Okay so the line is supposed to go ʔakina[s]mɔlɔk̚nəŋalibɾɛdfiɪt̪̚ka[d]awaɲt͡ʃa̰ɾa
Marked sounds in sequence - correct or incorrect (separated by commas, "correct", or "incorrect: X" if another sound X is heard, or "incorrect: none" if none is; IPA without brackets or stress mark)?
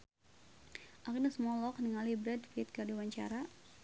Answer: correct, correct